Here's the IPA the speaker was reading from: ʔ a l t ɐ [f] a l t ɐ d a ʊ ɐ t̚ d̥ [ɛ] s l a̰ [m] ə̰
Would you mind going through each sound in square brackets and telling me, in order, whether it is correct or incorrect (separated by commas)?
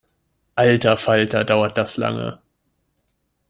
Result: correct, incorrect, incorrect